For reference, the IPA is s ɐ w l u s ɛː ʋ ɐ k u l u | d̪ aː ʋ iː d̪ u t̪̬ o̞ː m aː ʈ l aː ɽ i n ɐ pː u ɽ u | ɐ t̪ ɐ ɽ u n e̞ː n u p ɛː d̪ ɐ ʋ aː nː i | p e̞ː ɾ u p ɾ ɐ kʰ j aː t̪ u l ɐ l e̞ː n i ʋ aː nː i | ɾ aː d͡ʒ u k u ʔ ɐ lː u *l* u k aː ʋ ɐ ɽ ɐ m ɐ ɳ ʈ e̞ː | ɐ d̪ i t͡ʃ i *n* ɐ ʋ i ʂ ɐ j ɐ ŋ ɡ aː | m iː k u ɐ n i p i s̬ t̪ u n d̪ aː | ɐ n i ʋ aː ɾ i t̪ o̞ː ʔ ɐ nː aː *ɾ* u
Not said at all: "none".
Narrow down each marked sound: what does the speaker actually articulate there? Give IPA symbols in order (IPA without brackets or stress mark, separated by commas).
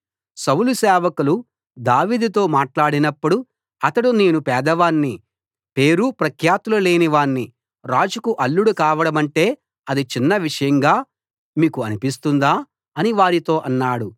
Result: ɽ, nː, ɽ